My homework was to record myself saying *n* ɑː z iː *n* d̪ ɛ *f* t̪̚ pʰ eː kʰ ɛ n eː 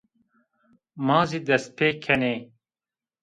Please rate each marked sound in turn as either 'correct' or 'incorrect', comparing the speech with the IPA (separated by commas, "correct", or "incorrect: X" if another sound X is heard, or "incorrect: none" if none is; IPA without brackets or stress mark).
incorrect: m, incorrect: none, incorrect: s